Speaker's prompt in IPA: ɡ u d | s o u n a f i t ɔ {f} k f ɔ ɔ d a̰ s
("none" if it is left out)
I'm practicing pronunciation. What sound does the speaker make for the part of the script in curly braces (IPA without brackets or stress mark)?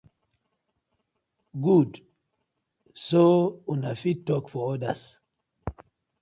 none